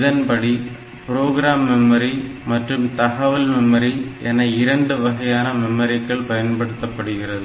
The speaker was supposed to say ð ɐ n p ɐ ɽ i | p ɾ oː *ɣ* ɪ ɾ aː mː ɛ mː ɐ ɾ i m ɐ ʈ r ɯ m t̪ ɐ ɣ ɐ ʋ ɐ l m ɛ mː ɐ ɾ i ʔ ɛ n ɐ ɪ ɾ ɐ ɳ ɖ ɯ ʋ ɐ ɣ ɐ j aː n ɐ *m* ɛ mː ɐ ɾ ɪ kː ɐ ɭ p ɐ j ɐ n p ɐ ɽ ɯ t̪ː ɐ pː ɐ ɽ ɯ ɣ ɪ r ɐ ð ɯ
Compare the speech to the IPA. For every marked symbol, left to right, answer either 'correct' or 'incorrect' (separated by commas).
correct, correct